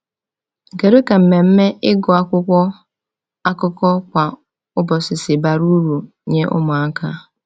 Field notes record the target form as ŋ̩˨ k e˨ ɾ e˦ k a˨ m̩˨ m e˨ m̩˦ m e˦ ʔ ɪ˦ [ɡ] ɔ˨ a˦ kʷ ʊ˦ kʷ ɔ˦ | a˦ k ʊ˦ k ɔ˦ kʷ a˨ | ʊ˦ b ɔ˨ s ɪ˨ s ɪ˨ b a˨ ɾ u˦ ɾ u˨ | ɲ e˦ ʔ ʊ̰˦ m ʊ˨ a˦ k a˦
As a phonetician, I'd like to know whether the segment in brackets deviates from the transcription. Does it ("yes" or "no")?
no